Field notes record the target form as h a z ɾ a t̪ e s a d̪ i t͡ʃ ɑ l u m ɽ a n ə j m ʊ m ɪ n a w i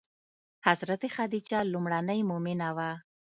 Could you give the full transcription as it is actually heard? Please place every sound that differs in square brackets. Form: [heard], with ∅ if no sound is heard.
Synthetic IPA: h a z ɾ a t̪ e [x] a d̪ i t͡ʃ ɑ l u m ɽ a n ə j m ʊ m ɪ n a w [a]

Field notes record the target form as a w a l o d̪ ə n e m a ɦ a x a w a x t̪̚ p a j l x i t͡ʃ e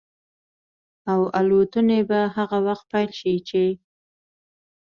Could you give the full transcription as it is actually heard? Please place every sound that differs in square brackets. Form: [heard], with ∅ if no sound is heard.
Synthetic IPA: a w a l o [t̪] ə n e [b] a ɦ a [ɣ] a w a x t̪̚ p a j l [ʃ] i t͡ʃ e

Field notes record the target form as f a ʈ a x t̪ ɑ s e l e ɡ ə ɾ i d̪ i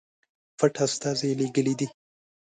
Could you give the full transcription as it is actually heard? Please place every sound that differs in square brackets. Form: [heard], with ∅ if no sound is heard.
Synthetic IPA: f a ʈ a [s] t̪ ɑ [z] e l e ɡ ə [l] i d̪ i

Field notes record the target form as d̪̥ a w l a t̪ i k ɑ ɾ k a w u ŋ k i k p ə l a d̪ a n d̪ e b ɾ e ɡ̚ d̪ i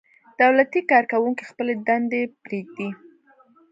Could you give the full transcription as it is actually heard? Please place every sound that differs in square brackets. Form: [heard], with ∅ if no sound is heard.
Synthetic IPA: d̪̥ a w l a t̪ i k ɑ ɾ k a w u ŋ k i [x] p ə l [e] d̪ a n d̪ e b ɾ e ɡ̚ d̪ i

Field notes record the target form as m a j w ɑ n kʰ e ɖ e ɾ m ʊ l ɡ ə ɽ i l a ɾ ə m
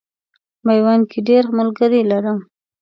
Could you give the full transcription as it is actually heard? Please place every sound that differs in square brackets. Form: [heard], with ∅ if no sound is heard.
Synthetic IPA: m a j w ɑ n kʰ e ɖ e ɾ m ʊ l ɡ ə [ɾ] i l a ɾ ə m

